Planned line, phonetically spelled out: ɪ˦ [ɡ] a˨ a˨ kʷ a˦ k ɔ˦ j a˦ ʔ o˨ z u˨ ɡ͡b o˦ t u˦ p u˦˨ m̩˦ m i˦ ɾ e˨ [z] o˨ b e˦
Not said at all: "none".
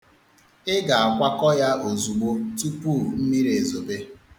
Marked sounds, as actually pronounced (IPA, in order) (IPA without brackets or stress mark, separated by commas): ɡ, z